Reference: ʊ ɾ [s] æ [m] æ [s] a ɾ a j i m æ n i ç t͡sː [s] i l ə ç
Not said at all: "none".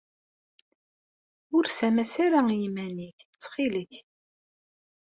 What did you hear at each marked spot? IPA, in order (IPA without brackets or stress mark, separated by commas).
s, m, s, χ